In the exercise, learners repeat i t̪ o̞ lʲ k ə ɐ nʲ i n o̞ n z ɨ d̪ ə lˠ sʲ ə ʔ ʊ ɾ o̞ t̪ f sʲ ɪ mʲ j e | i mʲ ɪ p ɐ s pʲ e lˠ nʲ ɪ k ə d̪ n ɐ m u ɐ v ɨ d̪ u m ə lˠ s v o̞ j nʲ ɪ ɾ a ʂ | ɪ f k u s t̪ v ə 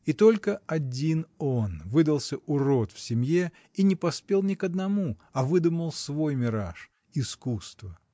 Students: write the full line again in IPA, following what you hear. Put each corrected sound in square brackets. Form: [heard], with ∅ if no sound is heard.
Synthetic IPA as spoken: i t̪ o̞ lʲ k ə ɐ [dʲ] i n o̞ n [v] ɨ d̪ ə lˠ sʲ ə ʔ ʊ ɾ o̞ t̪ f sʲ ɪ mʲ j e | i [nʲ] ɪ p ɐ s pʲ e lˠ nʲ ɪ k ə d̪ n ɐ m u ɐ v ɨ d̪ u m ə lˠ s v o̞ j [mʲ] ɪ ɾ a ʂ | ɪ [s] k u s t̪ v ə